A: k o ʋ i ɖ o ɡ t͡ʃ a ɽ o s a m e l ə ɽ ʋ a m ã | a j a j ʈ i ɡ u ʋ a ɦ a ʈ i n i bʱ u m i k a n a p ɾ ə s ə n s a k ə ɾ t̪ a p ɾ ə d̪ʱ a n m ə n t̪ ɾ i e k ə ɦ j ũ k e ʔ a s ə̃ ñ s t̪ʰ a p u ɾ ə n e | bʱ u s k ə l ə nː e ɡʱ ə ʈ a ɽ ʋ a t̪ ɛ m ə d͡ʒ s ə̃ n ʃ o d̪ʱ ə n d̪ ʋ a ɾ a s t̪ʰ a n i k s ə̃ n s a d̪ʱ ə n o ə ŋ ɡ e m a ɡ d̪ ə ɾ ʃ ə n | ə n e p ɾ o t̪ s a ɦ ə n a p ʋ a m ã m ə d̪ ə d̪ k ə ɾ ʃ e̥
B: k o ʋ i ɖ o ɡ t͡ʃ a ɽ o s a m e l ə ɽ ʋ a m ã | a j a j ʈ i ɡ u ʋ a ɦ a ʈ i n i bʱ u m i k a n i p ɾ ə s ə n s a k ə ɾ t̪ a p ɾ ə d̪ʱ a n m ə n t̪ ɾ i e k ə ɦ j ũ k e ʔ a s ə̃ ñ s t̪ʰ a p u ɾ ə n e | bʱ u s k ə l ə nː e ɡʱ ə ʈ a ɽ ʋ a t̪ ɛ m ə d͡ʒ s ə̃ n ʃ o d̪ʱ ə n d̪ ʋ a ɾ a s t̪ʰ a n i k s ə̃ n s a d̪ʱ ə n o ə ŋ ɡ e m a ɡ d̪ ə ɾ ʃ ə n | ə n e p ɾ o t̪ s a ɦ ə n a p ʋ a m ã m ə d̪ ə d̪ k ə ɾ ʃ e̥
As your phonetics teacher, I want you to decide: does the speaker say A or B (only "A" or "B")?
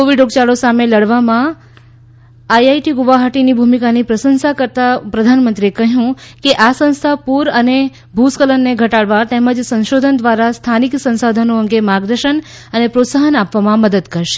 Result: B